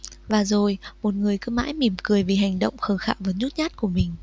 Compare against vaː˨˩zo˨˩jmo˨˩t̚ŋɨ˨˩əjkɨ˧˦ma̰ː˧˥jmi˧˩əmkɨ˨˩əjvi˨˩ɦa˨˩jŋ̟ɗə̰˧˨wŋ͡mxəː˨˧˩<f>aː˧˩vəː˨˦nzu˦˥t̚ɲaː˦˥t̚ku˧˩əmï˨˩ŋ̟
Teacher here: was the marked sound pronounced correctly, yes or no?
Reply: no